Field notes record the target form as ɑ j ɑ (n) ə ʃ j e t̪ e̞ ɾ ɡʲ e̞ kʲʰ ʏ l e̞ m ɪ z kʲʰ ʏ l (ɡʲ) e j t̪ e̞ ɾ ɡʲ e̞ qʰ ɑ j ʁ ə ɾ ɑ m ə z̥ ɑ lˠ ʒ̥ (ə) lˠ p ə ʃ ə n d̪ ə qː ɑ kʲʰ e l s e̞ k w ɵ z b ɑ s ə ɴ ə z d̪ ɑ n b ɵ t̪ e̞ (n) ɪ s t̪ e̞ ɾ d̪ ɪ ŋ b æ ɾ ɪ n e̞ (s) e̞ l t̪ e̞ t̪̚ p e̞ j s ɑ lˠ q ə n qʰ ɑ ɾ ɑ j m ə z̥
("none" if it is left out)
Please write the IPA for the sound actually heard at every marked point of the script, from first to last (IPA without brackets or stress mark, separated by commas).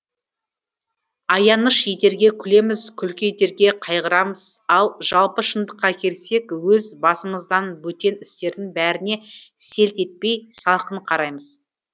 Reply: n, kʲ, ɑ, n, s